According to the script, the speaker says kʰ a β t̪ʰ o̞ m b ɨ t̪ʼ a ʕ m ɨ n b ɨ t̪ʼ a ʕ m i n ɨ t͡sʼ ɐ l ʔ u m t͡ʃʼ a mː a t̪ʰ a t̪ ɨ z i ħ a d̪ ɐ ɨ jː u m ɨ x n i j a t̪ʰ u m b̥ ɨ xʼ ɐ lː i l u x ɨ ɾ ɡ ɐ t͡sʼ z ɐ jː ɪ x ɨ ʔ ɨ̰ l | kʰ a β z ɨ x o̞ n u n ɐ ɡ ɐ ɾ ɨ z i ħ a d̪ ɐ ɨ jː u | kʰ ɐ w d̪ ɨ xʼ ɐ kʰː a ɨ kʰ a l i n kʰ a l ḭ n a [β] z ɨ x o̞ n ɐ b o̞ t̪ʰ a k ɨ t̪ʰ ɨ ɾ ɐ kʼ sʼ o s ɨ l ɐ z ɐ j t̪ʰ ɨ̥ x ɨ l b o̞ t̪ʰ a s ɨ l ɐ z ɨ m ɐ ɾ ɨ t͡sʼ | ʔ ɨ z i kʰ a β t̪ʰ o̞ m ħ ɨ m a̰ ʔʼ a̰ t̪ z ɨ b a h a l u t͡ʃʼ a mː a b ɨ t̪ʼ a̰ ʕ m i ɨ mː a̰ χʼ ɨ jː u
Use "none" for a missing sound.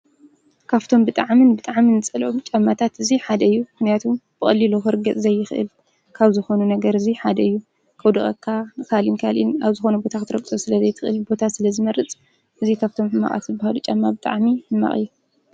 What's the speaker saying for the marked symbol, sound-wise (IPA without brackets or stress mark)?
β